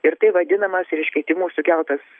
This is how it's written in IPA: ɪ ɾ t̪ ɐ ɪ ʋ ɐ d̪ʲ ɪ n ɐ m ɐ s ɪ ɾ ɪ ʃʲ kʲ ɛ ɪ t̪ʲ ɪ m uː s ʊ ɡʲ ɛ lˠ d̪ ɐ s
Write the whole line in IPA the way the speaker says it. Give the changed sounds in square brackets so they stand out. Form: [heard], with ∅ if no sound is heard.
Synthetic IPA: ɪ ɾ t̪ ɐ ɪ ʋ ɐ d̪ʲ ɪ n ɐ m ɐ s ɪ ɾ ɪ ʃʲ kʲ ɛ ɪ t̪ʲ ɪ m uː s ʊ [kʲ] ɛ lˠ [t̪] ɐ s